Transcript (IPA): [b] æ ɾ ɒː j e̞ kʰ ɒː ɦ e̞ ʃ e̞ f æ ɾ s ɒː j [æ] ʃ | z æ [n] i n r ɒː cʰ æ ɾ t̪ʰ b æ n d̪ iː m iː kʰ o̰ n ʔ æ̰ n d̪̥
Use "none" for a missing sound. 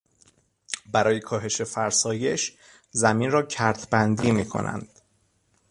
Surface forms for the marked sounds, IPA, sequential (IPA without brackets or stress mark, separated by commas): b, e, m